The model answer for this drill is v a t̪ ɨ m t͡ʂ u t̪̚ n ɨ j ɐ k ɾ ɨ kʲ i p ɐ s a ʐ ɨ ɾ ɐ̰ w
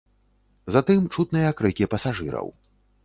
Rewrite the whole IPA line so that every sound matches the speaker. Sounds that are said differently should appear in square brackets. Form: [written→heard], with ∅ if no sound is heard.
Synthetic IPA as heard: [v→z] a t̪ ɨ m t͡ʂ u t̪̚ n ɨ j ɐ k ɾ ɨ kʲ i p ɐ s a ʐ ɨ ɾ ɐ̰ w